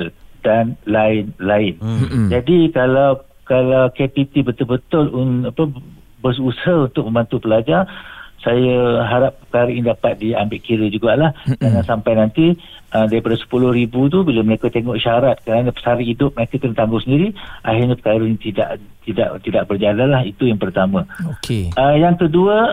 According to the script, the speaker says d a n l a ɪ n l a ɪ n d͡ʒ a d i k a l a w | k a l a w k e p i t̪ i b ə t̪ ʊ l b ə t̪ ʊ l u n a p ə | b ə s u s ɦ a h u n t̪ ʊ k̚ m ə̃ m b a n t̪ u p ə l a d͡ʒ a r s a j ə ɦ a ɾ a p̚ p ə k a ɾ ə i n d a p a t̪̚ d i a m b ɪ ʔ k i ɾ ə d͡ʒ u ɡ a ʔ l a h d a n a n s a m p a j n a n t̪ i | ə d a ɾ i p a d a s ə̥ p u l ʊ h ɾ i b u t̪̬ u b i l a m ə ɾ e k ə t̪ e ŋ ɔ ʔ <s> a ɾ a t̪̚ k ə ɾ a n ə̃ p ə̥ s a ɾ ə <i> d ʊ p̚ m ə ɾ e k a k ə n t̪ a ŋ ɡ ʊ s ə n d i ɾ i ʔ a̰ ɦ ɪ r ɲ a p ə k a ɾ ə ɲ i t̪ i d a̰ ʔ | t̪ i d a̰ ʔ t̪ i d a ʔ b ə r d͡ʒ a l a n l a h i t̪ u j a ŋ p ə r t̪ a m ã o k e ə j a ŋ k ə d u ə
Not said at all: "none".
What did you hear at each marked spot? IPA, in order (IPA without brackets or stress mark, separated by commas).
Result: ʃ, i